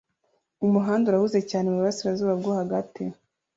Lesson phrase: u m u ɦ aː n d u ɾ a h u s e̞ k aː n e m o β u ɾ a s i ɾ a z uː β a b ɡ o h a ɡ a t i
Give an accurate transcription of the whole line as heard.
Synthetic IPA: u m u ɦ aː n d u ɾ a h u z e̞ c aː n e m u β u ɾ a s i ɾ a z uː β a b ɡ o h a ɡ a t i